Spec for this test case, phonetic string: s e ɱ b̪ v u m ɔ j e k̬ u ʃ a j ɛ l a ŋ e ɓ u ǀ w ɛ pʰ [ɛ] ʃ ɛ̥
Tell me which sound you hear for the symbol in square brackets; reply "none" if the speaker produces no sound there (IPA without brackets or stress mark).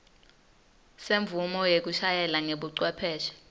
ɛː